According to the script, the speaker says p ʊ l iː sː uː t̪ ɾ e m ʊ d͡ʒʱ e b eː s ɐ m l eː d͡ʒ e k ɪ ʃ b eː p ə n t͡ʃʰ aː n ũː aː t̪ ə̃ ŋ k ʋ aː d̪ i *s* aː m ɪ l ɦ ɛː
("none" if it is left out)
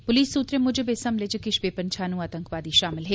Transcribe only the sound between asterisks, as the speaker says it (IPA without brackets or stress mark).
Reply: ʃ